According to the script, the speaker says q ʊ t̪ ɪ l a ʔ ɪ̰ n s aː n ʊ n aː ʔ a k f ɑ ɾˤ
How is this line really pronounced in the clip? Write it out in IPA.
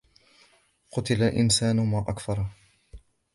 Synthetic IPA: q ʊ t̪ ɪ l a ʔ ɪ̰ n s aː n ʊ m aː ʔ a k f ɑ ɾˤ